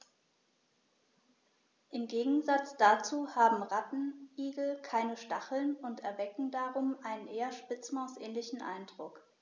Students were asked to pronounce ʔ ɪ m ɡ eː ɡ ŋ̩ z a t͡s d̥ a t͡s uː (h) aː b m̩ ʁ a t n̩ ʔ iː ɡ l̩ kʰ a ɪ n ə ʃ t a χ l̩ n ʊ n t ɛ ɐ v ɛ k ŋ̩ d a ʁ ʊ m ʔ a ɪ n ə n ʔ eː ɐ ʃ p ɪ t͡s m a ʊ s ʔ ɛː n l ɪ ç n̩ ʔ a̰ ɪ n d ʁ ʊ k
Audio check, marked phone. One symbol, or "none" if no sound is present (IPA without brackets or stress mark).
h